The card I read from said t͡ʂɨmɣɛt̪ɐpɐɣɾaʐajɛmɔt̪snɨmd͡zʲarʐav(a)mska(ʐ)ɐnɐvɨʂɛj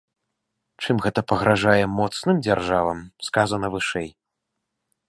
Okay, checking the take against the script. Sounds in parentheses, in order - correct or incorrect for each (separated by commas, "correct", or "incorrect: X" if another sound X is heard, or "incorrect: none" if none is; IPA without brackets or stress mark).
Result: incorrect: ɐ, incorrect: z